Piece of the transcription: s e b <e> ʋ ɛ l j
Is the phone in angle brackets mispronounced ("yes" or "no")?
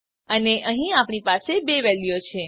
no